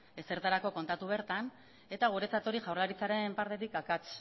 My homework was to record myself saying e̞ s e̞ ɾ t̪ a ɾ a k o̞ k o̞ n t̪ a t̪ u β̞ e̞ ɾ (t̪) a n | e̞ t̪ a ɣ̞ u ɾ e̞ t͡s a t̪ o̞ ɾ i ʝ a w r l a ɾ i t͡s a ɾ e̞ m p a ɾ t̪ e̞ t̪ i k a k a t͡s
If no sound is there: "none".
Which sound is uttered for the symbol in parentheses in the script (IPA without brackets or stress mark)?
t̪